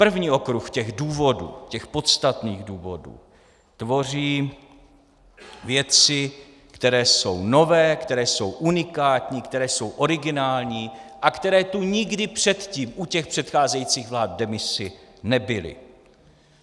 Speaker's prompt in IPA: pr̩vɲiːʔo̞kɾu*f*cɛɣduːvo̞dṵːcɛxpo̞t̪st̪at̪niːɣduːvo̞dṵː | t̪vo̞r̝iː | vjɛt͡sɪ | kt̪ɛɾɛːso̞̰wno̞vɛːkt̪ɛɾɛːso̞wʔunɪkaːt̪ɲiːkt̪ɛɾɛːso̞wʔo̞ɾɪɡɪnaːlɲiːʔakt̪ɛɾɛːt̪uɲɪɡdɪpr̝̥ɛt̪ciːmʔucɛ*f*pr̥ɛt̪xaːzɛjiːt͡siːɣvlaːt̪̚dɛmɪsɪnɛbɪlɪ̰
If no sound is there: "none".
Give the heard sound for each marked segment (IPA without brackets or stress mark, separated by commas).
x, x